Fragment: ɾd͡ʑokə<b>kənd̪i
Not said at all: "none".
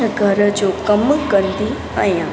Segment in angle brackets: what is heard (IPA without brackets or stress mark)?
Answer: m